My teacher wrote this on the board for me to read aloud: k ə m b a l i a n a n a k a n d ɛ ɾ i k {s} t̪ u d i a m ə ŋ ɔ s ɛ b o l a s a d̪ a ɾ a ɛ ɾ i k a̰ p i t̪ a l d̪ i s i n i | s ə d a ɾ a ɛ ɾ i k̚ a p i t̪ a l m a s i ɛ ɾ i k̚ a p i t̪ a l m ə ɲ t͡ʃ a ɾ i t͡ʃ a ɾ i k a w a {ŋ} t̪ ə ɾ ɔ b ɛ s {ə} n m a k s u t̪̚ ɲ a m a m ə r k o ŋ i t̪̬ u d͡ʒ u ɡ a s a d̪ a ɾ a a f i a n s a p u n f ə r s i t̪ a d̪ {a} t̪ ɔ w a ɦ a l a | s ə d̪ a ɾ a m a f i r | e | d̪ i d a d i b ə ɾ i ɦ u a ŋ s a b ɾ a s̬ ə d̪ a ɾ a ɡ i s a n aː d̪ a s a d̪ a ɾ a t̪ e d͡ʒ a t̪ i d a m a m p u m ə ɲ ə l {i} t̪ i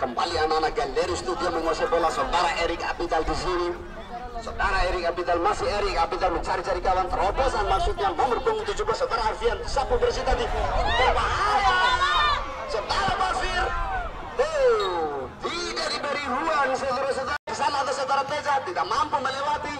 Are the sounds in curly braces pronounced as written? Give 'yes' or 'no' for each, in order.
yes, no, no, no, no

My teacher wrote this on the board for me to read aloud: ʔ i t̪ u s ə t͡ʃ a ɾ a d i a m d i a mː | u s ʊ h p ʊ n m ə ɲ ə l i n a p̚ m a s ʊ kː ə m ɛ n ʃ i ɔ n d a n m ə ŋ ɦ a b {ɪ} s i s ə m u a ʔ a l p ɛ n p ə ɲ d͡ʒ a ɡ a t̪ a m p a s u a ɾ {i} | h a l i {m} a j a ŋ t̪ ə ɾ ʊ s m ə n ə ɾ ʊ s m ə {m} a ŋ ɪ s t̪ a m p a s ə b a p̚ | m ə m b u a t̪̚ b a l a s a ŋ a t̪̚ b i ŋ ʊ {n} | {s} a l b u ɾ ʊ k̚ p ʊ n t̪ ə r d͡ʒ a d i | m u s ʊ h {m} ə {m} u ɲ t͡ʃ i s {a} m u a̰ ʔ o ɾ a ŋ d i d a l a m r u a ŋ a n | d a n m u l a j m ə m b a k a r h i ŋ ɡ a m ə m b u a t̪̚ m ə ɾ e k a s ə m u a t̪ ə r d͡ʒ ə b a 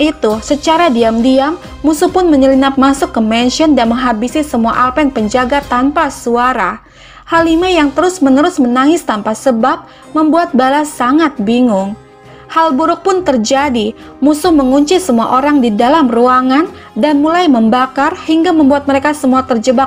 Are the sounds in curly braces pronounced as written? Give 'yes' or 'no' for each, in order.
no, no, yes, no, no, no, yes, no, no

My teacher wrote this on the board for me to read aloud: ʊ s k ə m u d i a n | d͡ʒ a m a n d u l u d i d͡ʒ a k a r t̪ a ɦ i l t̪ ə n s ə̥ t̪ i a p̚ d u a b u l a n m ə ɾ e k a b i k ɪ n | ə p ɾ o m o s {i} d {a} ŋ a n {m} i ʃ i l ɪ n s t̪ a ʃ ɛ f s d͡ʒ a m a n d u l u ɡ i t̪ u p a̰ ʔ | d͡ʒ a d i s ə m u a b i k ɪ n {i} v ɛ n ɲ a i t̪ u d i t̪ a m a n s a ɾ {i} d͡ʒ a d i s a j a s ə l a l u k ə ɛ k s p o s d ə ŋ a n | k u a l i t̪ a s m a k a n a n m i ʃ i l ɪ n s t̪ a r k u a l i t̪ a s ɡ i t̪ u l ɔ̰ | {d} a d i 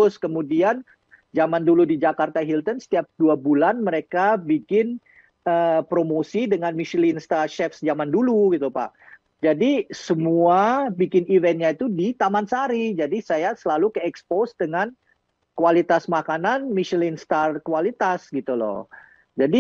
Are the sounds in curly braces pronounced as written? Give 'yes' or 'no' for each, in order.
yes, no, yes, yes, yes, no

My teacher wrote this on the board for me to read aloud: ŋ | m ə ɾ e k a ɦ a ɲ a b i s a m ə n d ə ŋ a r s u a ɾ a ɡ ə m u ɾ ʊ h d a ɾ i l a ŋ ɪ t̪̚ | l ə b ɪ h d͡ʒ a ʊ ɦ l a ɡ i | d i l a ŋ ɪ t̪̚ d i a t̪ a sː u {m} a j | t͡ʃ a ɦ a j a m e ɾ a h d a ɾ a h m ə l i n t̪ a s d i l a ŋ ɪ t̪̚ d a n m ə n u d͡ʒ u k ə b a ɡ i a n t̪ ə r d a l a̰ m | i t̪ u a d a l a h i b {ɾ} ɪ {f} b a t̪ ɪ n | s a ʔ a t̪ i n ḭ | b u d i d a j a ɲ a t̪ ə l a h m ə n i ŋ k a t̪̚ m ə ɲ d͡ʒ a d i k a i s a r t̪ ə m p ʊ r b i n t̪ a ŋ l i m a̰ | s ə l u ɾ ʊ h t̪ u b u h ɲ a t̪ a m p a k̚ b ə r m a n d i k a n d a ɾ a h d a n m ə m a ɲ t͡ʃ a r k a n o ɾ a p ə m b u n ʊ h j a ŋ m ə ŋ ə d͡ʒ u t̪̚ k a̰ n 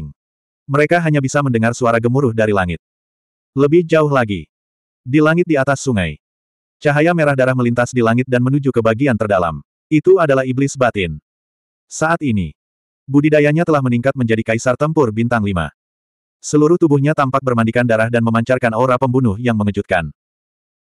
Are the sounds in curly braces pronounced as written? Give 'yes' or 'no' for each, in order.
no, no, no

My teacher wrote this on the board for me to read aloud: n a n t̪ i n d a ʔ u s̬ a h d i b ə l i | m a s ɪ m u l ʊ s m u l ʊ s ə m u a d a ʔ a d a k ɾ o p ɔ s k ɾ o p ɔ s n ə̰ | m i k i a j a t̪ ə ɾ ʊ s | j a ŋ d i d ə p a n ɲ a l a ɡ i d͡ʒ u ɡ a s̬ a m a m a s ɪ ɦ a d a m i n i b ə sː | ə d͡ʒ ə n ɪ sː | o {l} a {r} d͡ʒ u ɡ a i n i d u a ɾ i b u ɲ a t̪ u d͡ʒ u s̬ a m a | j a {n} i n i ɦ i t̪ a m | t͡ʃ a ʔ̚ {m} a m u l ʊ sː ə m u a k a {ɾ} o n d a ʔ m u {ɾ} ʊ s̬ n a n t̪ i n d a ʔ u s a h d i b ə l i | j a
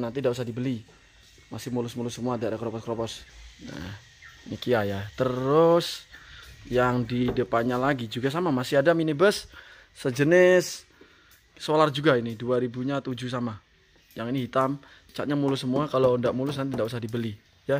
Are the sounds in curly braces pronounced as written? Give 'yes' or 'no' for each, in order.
yes, yes, no, no, no, no

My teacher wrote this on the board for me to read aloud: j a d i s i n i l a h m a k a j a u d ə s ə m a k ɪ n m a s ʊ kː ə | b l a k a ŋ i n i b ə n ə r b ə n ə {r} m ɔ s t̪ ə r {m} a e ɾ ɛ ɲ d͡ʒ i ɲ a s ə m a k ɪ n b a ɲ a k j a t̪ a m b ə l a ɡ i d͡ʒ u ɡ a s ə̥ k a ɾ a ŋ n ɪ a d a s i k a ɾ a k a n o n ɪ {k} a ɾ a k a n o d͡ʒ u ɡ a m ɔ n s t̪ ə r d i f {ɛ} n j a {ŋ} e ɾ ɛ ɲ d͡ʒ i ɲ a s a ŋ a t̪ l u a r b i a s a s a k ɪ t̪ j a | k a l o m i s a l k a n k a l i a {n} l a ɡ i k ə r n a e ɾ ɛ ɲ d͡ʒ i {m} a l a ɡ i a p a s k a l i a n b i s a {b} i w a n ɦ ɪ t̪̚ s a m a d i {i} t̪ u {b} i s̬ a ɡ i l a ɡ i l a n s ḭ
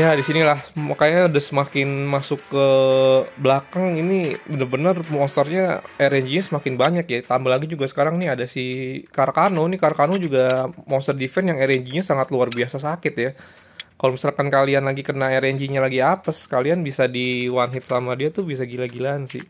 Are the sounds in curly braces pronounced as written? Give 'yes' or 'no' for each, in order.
yes, no, yes, yes, yes, yes, no, no, no, yes

